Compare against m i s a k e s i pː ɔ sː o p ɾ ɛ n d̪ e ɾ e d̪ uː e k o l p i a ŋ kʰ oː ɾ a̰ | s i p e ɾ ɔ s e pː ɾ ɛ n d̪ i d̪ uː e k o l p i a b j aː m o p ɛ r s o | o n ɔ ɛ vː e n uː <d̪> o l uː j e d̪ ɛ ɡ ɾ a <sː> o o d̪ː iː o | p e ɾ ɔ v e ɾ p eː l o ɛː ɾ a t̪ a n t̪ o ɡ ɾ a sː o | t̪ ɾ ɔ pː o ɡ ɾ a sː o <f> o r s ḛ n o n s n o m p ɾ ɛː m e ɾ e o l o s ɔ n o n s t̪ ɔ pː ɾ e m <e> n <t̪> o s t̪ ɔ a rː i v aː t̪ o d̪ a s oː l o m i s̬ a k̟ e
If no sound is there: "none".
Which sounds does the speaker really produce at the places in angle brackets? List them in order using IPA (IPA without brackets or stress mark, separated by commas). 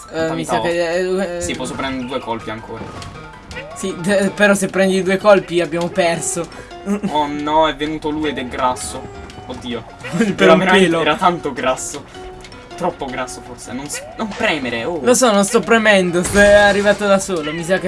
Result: t̪, sː, f, ɛ, d̪